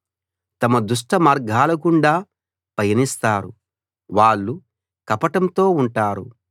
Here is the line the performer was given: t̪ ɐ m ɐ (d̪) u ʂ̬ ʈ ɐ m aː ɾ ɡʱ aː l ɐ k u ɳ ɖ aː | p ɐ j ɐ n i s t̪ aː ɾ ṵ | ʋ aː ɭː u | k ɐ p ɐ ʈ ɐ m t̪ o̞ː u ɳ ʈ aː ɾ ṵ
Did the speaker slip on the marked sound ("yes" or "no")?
no